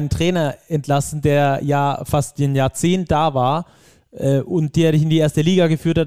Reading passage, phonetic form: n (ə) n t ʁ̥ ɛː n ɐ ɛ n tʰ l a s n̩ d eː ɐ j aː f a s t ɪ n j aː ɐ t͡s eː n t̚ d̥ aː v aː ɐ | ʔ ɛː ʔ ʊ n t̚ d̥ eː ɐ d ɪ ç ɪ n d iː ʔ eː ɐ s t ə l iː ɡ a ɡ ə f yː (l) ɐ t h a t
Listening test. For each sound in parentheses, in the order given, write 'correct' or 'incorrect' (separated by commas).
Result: correct, incorrect